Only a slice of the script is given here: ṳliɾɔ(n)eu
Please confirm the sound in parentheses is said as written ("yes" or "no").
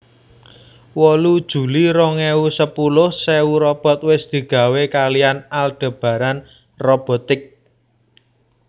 no